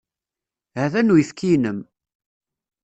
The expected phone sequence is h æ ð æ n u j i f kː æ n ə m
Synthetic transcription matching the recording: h æ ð æ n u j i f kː i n ə m